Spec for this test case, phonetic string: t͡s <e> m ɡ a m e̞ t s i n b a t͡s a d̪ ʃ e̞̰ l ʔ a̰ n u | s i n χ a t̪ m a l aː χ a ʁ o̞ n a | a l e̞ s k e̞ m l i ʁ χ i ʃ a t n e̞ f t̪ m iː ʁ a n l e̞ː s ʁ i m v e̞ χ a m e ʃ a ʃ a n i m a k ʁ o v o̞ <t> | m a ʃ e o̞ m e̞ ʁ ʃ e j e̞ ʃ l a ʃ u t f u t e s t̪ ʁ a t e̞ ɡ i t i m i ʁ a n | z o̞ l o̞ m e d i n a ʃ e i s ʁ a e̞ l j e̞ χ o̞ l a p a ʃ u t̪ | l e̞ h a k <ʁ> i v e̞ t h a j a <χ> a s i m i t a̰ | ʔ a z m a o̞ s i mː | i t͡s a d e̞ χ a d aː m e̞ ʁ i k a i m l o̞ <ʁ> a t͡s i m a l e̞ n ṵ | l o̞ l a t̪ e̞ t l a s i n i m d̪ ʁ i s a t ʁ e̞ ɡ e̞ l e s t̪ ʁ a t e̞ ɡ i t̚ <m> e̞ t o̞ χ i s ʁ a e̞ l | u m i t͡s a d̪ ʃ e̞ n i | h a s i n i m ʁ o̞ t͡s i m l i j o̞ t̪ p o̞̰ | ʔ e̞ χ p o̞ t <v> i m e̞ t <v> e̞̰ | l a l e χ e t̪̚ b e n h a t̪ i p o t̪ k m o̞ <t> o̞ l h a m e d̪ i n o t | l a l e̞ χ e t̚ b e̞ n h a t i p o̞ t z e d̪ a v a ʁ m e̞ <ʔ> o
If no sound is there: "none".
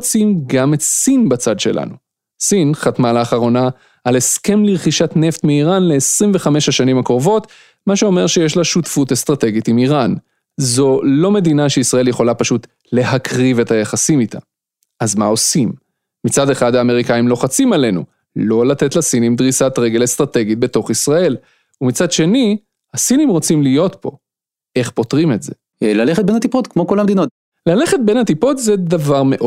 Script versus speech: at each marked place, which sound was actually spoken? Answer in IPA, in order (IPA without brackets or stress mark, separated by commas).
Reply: i, t, ʁ, χ, χ, b, ʁ, z, k, ʔ